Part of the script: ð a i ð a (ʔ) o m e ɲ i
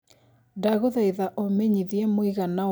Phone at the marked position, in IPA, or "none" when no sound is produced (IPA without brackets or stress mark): ʔ